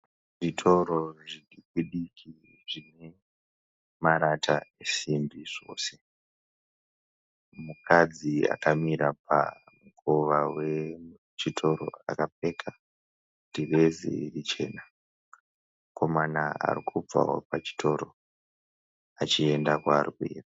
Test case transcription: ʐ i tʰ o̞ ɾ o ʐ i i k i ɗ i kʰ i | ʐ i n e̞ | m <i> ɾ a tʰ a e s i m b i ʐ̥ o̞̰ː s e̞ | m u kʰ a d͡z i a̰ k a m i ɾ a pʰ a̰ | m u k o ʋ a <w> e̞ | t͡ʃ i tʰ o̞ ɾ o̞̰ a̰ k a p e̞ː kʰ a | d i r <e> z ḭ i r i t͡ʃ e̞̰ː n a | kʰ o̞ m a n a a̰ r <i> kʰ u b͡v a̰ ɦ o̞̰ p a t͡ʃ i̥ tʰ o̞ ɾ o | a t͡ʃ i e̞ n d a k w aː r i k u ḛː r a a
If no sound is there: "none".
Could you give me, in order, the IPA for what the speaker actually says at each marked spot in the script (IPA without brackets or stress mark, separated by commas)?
a, w, e, i